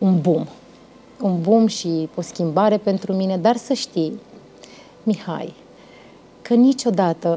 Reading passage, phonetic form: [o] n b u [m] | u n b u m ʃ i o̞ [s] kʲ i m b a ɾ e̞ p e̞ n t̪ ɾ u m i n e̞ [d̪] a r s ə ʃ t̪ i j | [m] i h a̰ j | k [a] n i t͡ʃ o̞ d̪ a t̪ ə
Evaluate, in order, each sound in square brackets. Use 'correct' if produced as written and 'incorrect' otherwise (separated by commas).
incorrect, correct, correct, correct, correct, incorrect